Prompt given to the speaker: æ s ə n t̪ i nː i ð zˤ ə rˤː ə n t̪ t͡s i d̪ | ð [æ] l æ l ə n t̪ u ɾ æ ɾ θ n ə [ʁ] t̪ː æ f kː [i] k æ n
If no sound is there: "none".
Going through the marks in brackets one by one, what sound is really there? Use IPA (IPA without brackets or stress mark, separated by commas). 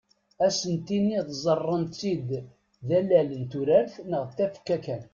æ, ʁ, æ